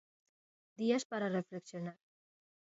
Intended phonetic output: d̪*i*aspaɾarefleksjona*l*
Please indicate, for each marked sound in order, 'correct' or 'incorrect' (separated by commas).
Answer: correct, incorrect